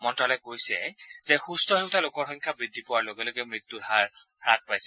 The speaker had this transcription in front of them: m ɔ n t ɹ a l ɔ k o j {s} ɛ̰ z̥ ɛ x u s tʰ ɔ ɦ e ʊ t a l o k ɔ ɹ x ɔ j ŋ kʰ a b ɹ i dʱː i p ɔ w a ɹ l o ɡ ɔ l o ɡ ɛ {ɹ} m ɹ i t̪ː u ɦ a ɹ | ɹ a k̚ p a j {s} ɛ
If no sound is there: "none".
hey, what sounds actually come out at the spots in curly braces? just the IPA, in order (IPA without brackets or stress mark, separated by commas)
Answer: s, none, s